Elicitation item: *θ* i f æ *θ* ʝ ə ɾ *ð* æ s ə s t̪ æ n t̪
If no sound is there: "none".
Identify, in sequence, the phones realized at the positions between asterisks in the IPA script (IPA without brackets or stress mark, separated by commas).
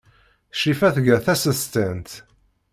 ʃ, θ, θ